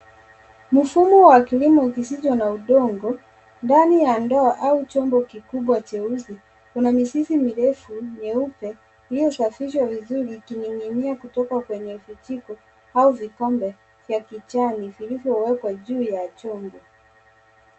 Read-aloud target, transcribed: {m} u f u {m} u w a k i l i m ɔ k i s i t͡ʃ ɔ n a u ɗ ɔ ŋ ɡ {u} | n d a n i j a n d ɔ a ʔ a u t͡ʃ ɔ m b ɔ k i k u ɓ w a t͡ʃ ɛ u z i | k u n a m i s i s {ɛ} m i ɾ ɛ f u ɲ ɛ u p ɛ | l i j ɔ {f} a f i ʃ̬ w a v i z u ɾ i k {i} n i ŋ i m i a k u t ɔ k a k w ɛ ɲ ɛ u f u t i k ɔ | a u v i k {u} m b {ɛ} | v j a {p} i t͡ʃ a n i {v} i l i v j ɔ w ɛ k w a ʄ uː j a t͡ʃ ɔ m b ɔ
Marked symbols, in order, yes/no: yes, yes, no, no, no, yes, no, yes, no, yes

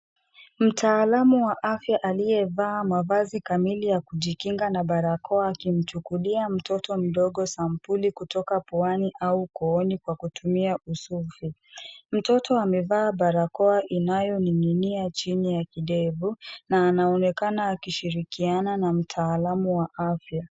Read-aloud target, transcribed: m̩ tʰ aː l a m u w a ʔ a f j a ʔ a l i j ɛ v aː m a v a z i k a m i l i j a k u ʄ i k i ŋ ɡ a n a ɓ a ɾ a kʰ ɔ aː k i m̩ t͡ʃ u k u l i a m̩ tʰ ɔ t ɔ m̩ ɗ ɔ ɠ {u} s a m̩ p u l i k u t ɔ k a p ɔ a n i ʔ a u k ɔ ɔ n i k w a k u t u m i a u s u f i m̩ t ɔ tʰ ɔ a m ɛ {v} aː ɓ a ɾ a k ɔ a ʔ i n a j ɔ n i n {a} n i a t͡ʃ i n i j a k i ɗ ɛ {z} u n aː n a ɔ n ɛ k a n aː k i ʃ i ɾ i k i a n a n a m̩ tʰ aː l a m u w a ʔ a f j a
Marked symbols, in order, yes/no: no, yes, no, no

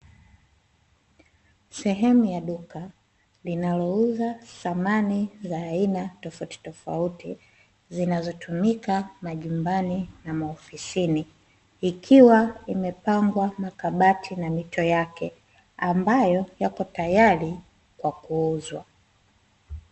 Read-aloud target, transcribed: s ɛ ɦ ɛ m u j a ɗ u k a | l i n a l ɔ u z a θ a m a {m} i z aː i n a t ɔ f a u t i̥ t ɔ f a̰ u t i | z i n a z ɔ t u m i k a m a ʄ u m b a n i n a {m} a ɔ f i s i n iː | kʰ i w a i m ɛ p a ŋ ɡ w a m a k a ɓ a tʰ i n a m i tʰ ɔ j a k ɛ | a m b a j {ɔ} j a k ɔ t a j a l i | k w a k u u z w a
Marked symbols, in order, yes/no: no, yes, yes

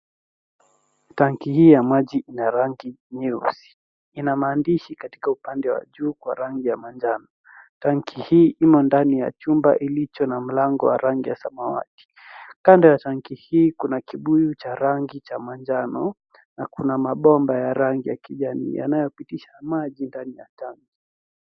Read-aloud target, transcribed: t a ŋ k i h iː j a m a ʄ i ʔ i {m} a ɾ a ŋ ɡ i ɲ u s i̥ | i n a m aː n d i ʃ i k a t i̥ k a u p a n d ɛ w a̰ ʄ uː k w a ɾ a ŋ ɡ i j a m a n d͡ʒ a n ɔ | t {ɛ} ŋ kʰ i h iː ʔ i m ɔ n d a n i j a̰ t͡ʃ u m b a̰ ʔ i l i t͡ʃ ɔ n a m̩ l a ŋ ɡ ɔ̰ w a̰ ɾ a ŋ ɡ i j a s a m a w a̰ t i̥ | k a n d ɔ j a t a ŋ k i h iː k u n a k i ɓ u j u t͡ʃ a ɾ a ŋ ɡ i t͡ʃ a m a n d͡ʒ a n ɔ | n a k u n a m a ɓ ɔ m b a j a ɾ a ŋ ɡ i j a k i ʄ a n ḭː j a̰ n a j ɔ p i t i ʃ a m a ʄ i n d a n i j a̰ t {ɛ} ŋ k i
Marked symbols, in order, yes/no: no, no, no

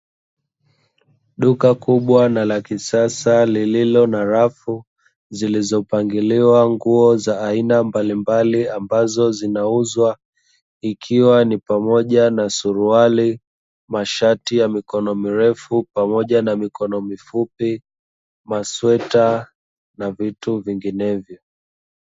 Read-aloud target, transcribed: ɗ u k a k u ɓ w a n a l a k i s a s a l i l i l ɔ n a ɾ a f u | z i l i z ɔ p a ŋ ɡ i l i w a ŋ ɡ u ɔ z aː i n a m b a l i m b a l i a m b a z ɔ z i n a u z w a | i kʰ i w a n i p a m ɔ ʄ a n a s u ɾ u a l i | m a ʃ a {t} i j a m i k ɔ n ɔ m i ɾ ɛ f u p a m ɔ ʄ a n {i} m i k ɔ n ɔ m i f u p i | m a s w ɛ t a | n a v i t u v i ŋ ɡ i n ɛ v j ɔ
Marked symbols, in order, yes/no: yes, no

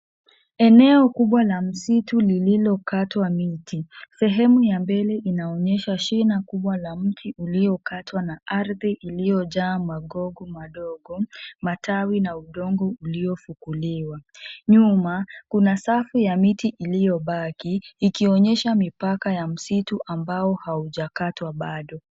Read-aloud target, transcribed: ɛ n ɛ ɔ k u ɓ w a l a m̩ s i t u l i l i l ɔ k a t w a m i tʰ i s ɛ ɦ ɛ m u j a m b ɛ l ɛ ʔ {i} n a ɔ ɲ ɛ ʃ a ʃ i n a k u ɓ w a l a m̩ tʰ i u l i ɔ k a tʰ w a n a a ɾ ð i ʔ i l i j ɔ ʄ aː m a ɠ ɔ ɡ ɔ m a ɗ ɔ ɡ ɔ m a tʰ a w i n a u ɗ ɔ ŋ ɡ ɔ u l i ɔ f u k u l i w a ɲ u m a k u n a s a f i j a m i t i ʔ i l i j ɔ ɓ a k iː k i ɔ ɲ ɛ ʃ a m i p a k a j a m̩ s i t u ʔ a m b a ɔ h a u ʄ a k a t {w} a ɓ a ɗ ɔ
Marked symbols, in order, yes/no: yes, yes

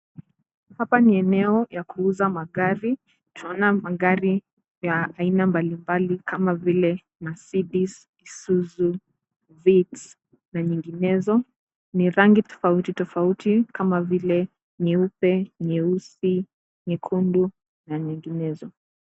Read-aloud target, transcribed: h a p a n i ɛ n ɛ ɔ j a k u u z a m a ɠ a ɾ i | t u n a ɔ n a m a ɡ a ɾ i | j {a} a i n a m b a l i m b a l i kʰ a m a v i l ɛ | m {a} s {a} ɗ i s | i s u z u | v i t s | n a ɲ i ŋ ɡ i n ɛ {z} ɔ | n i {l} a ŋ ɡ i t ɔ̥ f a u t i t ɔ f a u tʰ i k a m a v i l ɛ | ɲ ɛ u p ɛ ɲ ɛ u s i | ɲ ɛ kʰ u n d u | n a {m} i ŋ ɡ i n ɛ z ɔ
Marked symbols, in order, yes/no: yes, yes, no, yes, no, no

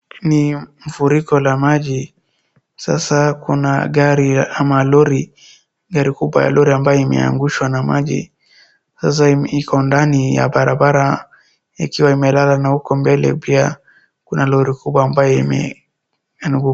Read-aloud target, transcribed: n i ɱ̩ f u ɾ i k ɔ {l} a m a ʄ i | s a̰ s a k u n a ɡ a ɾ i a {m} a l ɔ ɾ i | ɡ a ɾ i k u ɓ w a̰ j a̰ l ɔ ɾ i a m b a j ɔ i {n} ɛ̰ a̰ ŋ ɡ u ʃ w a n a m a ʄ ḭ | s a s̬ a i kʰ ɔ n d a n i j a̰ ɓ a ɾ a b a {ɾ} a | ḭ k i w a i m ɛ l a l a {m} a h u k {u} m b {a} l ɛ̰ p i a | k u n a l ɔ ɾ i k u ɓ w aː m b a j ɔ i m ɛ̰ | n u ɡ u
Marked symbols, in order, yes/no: yes, yes, no, yes, no, no, no

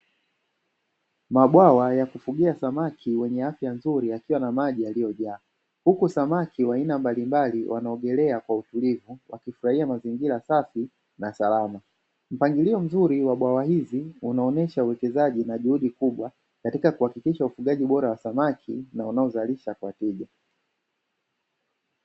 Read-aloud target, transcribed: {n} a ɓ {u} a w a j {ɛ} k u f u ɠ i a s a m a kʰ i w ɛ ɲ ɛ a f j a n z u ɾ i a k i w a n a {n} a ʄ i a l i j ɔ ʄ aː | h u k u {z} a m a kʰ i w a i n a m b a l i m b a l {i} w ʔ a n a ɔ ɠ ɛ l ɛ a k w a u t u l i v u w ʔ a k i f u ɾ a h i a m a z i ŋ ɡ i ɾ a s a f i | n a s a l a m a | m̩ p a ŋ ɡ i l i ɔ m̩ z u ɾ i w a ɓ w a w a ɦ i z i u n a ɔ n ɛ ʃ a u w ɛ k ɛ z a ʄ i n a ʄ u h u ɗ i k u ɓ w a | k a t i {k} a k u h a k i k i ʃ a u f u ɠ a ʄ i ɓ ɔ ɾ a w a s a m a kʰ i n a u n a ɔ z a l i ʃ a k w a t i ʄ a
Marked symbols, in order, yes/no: no, no, no, no, no, yes, yes

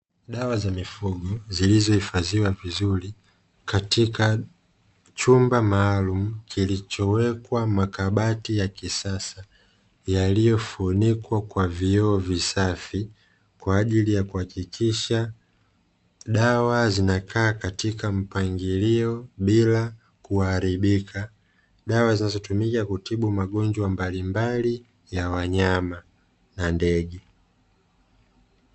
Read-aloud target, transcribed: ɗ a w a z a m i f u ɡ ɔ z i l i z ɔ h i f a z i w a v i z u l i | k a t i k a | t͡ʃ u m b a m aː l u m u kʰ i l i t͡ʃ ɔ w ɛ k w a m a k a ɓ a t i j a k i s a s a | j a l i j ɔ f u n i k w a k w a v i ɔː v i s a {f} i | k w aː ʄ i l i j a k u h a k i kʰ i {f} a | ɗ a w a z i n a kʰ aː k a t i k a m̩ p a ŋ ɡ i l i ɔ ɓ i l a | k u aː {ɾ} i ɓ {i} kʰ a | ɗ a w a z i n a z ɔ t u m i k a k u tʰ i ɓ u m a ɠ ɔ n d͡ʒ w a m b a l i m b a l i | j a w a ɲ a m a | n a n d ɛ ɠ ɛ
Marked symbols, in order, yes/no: yes, no, yes, yes

